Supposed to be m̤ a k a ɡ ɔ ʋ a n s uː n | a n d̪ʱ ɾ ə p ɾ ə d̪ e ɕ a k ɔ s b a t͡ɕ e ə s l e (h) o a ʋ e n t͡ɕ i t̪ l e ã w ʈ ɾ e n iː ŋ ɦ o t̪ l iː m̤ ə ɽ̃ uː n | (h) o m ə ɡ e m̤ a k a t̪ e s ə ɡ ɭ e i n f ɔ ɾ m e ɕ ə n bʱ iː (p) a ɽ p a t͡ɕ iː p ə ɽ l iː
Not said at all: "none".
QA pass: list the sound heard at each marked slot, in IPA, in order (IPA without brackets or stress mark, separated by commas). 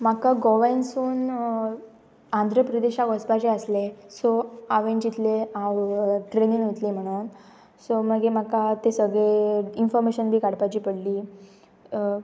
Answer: s, s, k